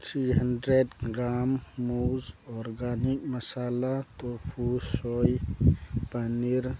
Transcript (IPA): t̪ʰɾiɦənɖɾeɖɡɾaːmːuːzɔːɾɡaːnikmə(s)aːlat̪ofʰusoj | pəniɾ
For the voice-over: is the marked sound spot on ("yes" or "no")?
yes